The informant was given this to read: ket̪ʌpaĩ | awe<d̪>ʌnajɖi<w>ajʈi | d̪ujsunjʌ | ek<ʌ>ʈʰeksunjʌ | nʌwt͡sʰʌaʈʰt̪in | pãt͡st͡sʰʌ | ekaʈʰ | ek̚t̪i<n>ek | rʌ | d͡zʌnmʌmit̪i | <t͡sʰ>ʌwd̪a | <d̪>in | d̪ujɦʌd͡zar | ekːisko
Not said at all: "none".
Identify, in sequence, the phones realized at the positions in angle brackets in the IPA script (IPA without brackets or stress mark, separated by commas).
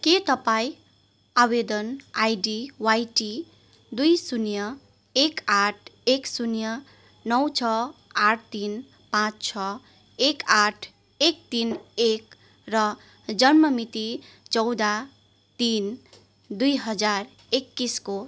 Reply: d̪, w, a, n, t͡s, t̪